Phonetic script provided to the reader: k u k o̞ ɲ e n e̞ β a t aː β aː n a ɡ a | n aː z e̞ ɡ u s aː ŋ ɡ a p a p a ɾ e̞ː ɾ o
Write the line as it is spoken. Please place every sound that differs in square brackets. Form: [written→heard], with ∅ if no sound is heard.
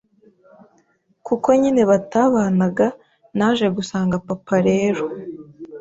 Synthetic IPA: k u k o̞ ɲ [e→i] n e̞ β a t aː β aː n a ɡ a | n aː [z→ʒ] e̞ ɡ u s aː ŋ ɡ a p a p a ɾ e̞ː ɾ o